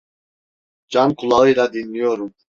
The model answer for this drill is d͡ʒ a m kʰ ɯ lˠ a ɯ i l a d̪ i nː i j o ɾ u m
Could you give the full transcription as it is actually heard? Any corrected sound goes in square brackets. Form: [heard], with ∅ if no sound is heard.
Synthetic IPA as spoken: d͡ʒ a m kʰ [u] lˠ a ɯ [j] l a d̪ i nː i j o ɾ u m